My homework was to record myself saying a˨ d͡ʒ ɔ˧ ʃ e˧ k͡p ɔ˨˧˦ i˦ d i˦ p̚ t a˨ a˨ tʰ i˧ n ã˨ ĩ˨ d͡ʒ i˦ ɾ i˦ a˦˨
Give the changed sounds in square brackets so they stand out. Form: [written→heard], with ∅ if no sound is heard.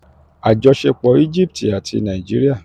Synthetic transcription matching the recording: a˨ d͡ʒ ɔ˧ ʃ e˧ k͡p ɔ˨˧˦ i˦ [d→d͡ʒ] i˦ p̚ t [a˨→i˨] a˨ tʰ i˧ n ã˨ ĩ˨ d͡ʒ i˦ ɾ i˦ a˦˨